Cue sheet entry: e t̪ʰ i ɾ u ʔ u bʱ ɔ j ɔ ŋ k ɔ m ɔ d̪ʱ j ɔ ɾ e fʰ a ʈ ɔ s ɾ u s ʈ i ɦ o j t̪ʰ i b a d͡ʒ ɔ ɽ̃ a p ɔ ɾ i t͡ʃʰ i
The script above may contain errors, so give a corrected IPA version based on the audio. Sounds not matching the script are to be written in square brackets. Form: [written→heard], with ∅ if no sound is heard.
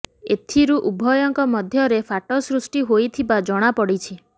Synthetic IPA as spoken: e t̪ʰ i ɾ u ʔ u bʱ ɔ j ɔ ŋ k ɔ m ɔ d̪ʱ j ɔ ɾ e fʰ a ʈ ɔ s ɾ u s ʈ i ɦ o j t̪ʰ i b a d͡ʒ ɔ ɽ̃ a p ɔ [ɾ→ɽ] i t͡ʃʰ i